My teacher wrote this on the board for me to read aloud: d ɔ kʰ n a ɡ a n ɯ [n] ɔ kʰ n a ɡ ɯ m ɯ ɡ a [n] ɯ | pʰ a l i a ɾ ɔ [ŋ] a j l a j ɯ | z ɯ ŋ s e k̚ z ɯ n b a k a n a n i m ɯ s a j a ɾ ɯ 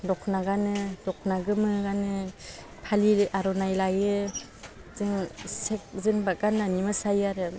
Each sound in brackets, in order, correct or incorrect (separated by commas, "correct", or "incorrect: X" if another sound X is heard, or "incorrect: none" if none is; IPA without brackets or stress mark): incorrect: d, correct, incorrect: n